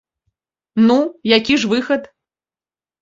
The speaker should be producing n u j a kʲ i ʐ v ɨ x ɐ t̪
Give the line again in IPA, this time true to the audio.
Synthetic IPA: n u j a kʲ i ʐ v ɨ x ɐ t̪